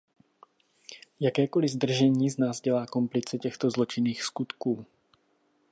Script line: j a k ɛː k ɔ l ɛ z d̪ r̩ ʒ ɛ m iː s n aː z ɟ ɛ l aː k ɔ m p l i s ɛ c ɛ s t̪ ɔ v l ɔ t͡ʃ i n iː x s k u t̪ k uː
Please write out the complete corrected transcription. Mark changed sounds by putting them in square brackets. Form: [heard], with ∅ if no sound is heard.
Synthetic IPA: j a k ɛː k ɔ l [i] z d̪ r̩ ʒ ɛ [ɲ] iː [z] n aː z ɟ ɛ l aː k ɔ m p l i [t͡s] ɛ c ɛ [x] t̪ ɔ [z] l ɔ t͡ʃ i n iː x s k u t̪ k uː

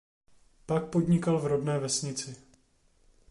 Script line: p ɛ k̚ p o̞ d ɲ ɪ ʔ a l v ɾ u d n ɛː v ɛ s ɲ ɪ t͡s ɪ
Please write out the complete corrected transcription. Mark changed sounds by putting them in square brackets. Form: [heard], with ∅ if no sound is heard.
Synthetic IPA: p [a] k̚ p o̞ d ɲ ɪ [k] a l v ɾ [o] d n ɛː v ɛ s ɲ ɪ t͡s ɪ

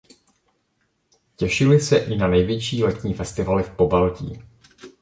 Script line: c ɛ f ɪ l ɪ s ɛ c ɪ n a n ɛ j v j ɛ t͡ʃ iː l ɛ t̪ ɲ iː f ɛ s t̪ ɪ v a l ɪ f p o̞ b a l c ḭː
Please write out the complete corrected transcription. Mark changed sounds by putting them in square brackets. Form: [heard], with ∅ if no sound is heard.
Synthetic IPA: c ɛ [ʃ] ɪ l ɪ s ɛ [ʔ] ɪ n a n ɛ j v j ɛ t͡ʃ iː l ɛ t̪ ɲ iː f ɛ s t̪ ɪ v a l ɪ f p o̞ b a l c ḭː

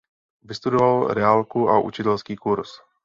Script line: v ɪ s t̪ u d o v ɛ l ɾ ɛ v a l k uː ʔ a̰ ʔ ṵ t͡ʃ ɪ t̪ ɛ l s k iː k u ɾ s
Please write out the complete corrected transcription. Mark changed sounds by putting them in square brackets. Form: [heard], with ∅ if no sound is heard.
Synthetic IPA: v ɪ s t̪ u d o v [a] l ɾ ɛ [∅] a l k [u] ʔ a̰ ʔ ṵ t͡ʃ ɪ t̪ ɛ l s k iː k u ɾ s

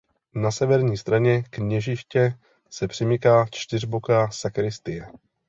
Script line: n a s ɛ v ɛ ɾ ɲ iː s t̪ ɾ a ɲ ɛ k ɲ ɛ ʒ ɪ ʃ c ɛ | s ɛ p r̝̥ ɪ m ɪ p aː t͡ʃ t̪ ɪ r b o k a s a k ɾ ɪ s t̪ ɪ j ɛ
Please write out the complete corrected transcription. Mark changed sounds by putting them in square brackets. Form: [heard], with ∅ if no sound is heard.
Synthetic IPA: n a s ɛ v ɛ ɾ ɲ iː s t̪ ɾ a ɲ ɛ k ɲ ɛ ʒ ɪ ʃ c ɛ | s ɛ p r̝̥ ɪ m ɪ [k] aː t͡ʃ t̪ ɪ r b o k a s a k ɾ ɪ s t̪ ɪ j ɛ

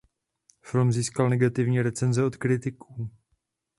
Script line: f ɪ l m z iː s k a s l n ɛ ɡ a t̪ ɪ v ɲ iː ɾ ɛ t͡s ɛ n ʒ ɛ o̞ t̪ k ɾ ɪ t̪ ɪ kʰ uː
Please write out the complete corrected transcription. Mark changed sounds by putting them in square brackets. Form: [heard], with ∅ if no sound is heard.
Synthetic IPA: f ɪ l m z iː s k a [∅] l n ɛ ɡ a t̪ ɪ v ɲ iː ɾ ɛ t͡s ɛ n [z] ɛ o̞ t̪ k ɾ ɪ t̪ ɪ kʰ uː

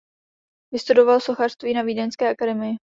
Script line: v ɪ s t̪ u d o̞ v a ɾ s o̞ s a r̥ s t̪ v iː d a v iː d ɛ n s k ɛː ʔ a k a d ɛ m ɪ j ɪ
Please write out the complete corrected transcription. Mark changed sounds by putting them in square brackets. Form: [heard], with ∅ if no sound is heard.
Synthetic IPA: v ɪ s t̪ u d o̞ v a [l] s o̞ [x] a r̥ s t̪ v iː [n] a v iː d ɛ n s k ɛː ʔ a k a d ɛ m ɪ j ɪ

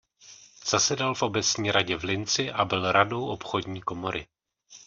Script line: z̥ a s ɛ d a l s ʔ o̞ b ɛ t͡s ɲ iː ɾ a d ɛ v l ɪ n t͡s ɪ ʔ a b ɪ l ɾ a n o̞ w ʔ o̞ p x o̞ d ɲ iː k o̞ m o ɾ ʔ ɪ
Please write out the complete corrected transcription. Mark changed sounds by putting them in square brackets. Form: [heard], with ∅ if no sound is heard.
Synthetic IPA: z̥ a s ɛ d a l [f] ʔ o̞ b ɛ t͡s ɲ iː ɾ a [ɟ] ɛ v l ɪ n t͡s ɪ ʔ a b ɪ l ɾ a [d] o̞ w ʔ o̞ p x o̞ d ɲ iː k o̞ m o ɾ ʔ ɪ

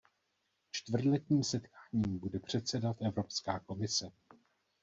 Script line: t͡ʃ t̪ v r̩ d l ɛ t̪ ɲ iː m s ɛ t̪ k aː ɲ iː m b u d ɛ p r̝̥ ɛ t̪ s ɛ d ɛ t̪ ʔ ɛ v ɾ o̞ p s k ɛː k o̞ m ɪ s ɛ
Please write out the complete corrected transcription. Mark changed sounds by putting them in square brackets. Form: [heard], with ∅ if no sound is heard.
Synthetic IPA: t͡ʃ t̪ v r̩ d l ɛ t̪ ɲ iː m s ɛ t̪ k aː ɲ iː m b u d ɛ p r̝̥ ɛ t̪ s ɛ d [a] t̪ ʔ ɛ v ɾ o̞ p s k [aː] k o̞ m ɪ s ɛ

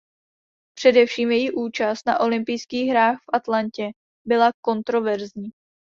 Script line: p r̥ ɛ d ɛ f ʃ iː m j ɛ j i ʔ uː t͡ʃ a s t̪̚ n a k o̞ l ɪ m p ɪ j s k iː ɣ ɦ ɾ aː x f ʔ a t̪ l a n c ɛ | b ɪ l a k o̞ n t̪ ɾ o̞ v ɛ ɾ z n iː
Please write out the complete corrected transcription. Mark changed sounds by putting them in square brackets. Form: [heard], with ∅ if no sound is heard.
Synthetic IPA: p r̥ ɛ d ɛ f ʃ iː m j ɛ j i ʔ uː t͡ʃ a s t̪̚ n a [ʔ] o̞ l ɪ m p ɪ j s k iː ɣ ɦ ɾ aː x f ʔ a t̪ l a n c ɛ | b ɪ l a k o̞ n t̪ ɾ o̞ v ɛ ɾ z [ɲ] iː

